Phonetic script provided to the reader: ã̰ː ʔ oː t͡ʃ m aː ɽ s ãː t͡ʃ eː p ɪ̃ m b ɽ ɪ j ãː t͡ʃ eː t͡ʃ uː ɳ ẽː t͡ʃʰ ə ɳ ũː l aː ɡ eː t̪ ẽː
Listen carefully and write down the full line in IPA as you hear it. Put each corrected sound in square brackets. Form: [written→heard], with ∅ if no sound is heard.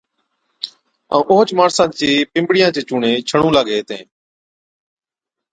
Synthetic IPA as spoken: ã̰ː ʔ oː t͡ʃ m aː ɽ s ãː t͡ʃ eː p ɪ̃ m b ɽ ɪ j ãː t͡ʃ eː t͡ʃ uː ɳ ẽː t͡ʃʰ ə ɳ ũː l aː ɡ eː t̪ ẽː